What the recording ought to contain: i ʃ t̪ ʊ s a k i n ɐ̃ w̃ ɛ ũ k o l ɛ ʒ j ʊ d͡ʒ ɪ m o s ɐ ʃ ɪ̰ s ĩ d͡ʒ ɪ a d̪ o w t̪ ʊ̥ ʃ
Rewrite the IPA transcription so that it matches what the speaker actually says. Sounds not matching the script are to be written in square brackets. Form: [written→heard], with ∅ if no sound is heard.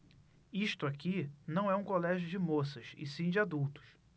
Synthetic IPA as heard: i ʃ t̪ ʊ [s→∅] a k i n ɐ̃ w̃ ɛ ũ k o l ɛ ʒ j ʊ d͡ʒ ɪ m o s ɐ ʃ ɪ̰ s ĩ d͡ʒ ɪ a d̪ [o→u] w t̪ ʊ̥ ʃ